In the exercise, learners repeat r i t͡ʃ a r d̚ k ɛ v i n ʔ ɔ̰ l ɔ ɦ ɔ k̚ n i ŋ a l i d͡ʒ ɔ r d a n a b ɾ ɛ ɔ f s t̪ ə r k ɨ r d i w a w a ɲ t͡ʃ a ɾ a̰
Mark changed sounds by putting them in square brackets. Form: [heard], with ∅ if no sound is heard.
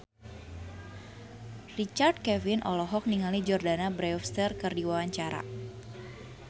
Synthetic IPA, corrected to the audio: r i t͡ʃ a r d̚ k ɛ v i n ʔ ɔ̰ l ɔ ɦ ɔ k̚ n i ŋ a l i d͡ʒ ɔ r d a n a b ɾ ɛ ɔ f s t̪ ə r k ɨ r d i w a w a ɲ t͡ʃ a ɾ a̰

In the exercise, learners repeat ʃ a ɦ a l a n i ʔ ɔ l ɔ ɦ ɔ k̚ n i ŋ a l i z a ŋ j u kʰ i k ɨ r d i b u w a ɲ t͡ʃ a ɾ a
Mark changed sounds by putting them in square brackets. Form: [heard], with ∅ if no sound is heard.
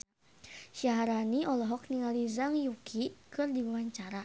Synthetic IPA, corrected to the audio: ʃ a ɦ a [ɾ] a n i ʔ ɔ l ɔ ɦ ɔ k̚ n i ŋ a l i z a ŋ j u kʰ i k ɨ r d i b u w a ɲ t͡ʃ a ɾ a

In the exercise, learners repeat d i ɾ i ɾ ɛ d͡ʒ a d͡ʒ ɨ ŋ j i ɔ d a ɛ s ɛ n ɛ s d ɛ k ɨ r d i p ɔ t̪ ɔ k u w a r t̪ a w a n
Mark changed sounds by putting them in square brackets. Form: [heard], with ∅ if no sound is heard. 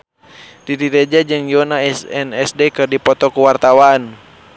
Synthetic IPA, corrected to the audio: d i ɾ i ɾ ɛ d͡ʒ a d͡ʒ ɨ ŋ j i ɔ [n] a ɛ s ɛ n ɛ s d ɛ k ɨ r d i p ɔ t̪ ɔ k u w a r t̪ a w a n

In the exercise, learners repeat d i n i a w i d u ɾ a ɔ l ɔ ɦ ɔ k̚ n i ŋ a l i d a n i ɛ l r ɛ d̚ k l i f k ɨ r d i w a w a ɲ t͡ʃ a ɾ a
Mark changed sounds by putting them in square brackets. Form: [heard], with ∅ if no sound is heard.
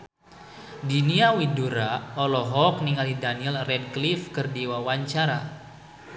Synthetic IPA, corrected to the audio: d i n i a w i d u ɾ a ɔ l ɔ ɦ ɔ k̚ n i ŋ a l i d a n i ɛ l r ɛ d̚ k l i f k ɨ r d i w a w a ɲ t͡ʃ a ɾ a

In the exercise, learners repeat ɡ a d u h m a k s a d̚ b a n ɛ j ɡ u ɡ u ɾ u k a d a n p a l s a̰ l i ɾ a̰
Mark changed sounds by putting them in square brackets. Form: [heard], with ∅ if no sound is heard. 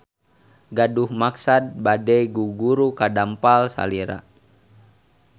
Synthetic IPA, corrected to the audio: ɡ a d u h m a k s a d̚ b a [d] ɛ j ɡ u ɡ u ɾ u k a d a [m] p a l s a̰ l i ɾ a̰

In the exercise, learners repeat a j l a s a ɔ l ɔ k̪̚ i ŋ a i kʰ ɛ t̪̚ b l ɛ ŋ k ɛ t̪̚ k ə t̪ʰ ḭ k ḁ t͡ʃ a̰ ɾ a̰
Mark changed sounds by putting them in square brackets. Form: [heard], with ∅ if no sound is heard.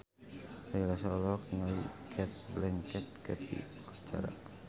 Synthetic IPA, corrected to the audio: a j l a s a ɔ l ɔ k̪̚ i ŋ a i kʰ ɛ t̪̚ b l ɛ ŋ k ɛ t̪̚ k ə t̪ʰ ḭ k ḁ t͡ʃ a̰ ɾ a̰

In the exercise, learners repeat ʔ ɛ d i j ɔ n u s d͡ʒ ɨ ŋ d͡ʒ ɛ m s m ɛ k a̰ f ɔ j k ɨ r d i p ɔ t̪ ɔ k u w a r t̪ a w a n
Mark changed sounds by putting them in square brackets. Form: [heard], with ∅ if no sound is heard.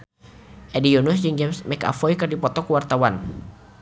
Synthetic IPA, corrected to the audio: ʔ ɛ d i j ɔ n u s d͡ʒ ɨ ŋ d͡ʒ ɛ m s m ɛ k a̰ f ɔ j k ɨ r d i p ɔ t̪ ɔ k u w a r t̪ a w a n

